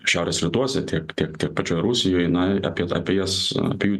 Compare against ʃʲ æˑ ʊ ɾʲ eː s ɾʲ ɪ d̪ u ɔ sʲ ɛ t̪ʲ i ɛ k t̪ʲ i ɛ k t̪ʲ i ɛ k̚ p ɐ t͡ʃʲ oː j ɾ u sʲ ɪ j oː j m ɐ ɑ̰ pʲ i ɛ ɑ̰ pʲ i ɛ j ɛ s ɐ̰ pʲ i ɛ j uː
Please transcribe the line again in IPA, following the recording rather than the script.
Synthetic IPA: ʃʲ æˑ ʊ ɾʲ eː s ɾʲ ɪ t̪ u ɔ sʲ ɛ t̪ʲ i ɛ k t̪ʲ i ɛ k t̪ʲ i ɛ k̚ p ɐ t͡ʃʲ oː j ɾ u sʲ ɪ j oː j n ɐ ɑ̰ pʲ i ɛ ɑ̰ pʲ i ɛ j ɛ s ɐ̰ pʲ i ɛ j uː

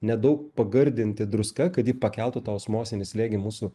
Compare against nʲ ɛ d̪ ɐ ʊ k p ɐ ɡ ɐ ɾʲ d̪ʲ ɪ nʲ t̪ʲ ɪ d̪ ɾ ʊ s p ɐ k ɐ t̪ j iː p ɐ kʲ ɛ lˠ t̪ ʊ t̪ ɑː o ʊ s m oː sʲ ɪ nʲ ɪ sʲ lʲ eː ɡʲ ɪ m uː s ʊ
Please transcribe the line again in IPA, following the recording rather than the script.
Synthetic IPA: nʲ ɛ d̪ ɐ ʊ k p ɐ ɡ ɐ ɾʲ d̪ʲ ɪ nʲ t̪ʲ ɪ d̪ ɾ ʊ s k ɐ k ɐ t̪ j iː p ɐ kʲ ɛ lˠ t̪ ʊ t̪ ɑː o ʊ s m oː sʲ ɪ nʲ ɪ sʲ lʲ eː ɡʲ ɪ m uː s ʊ

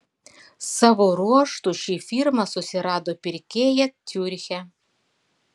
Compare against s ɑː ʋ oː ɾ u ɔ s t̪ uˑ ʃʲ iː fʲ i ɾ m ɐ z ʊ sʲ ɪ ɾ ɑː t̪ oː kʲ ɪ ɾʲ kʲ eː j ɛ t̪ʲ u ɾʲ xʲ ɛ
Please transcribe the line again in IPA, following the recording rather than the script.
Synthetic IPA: s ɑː ʋ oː ɾ u ɔ ʃ t̪ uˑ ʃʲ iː fʲ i ɾ m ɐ s ʊ sʲ ɪ ɾ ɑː d̪ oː pʲ ɪ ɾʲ kʲ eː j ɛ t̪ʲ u ɾʲ xʲ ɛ

